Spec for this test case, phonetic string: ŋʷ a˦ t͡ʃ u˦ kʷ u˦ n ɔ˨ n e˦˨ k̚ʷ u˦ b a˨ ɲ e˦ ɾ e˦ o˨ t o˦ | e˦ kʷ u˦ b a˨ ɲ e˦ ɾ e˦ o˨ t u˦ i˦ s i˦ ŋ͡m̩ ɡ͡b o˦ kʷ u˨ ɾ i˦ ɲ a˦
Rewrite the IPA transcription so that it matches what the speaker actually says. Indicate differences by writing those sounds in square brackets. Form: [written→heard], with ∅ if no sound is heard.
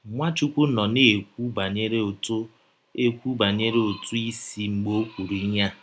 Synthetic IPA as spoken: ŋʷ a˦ t͡ʃ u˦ kʷ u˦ n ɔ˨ n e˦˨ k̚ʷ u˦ b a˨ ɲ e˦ ɾ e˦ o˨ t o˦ | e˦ kʷ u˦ b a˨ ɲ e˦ ɾ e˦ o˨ t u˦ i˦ s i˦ ŋ͡m̩ ɡ͡b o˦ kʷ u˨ ɾ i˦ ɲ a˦